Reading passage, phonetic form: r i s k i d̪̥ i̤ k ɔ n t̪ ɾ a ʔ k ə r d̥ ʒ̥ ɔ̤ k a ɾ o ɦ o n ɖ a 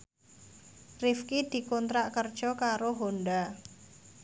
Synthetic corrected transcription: r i f k i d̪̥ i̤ k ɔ n t̪ ɾ a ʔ k ə r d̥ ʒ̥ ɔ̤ k a ɾ o ɦ o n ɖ a

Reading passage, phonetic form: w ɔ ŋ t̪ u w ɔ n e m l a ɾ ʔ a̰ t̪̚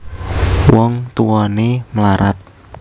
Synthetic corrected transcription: w ɔ ŋ t̪ u w ɔ n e m l a ɾ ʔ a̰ t̪̚

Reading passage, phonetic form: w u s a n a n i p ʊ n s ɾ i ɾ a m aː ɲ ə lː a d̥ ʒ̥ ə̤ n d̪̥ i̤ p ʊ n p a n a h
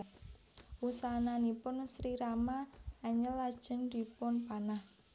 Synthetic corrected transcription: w u s a n a n i p ʊ n s ɾ i ɾ a m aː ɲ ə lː a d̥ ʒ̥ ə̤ n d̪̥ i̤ p ʊ n p a n a h

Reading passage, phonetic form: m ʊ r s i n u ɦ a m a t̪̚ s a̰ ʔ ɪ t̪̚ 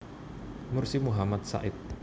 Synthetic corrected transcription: m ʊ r s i m u ɦ a m a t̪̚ s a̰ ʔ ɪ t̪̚

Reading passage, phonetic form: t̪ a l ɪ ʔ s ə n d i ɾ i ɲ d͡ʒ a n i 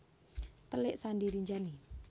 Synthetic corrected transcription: t̪ ə l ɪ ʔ s a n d i ɾ i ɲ d͡ʒ a n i

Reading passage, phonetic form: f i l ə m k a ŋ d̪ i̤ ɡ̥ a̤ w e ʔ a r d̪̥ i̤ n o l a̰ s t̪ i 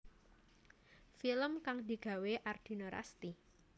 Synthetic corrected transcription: f i l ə m k a ŋ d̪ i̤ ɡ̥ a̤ w e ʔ a r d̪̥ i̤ n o ɾ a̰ s t̪ i

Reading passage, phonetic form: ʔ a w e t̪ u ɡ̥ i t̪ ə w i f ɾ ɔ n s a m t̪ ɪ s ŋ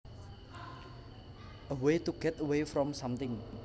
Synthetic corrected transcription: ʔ ə w e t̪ u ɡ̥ ɛ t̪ ə w e f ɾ ɔ m s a m t̪ ɪ ŋ

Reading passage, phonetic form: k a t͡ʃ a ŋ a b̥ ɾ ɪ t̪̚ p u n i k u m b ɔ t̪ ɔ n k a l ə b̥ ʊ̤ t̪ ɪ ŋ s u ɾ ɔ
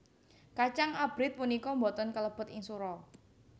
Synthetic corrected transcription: k a t͡ʃ a ŋ a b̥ ɾ ɪ t̪̚ p u n i k ɔ m b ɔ t̪ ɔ n k ə l ə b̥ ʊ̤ t̪ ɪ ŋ s u ɾ ɔ

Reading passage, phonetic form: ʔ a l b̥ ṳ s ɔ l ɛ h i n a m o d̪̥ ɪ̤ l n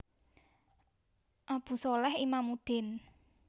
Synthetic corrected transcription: ʔ a b̥ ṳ s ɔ l ɛ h i m a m u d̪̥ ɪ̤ n

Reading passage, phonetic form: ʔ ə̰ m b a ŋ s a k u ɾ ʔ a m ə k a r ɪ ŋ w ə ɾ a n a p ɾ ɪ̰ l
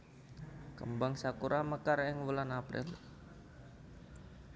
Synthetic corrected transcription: k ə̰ m b a ŋ s a k u ɾ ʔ a m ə k a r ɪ ŋ w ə l a n a p ɾ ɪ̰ l

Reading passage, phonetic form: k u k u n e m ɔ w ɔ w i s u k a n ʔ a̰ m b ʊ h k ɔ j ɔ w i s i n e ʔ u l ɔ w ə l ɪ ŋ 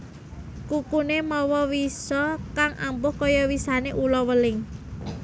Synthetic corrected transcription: k u k u n e m ɔ w ɔ w i s ɔ k a ŋ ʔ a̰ m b ʊ h k ɔ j ɔ w i s a n e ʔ u l ɔ w ə l ɪ ŋ

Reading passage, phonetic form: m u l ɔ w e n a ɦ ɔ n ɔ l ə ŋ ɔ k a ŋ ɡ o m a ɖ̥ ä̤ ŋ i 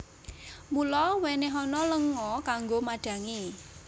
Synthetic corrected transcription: m u l ɔ w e n e ɦ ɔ n ɔ l ə ŋ ɔ k a ŋ ɡ o m a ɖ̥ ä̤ ŋ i

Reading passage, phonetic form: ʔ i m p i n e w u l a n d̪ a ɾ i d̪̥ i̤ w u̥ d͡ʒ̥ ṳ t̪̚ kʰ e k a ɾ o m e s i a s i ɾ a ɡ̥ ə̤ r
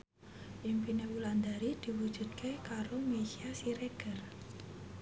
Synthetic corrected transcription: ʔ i m p i n e w u l a n d̪ a ɾ i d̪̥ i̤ w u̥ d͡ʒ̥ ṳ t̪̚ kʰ e k a ɾ o m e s i a s i ɾ e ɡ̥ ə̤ r

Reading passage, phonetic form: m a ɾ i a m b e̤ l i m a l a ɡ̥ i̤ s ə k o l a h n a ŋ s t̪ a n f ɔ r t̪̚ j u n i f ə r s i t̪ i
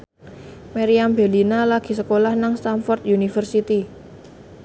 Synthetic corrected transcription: m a ɾ i a m b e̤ l i n a l a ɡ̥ i̤ s ə k o l a h n a ŋ s t̪ a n f ɔ r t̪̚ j u n i f ə r s i t̪ i

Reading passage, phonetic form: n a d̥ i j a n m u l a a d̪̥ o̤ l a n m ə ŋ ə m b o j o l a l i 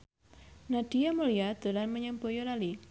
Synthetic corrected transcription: n a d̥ i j a m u l i a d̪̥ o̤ l a n m ə ɲ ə m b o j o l a l i

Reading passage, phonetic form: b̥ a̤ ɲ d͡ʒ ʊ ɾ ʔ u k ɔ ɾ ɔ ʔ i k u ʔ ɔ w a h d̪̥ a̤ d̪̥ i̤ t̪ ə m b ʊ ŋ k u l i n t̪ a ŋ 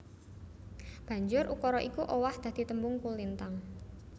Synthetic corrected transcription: b̥ a̤ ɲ d͡ʒ ʊ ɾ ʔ u k ɔ ɾ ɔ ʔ i k u ʔ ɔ w a h d̪̥ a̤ d̪̥ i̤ t̪ ə m b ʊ ŋ k u l i n t̪ a ŋ

